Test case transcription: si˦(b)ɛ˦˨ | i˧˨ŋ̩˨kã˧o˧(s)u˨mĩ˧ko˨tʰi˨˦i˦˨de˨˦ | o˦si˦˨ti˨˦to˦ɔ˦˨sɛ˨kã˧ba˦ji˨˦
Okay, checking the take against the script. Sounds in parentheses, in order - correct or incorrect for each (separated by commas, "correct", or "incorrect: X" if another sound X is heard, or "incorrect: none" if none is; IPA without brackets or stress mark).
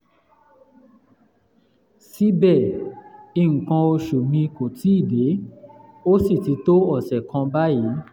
correct, incorrect: ʃ